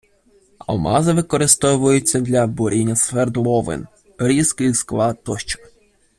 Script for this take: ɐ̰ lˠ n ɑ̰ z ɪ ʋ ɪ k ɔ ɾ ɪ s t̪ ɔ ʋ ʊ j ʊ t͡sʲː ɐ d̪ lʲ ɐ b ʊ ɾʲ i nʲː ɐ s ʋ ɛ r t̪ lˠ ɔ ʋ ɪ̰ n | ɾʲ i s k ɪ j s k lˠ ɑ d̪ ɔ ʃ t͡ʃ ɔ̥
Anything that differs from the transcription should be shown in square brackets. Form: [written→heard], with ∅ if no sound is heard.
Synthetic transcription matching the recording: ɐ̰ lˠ [n→m] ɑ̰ z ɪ ʋ ɪ k ɔ ɾ ɪ s t̪ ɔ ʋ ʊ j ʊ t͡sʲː ɐ d̪ lʲ ɐ b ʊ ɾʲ i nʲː ɐ s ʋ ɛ r [t̪→d̪] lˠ ɔ ʋ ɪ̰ n | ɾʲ i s k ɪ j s k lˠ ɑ [d̪→t̪] ɔ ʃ t͡ʃ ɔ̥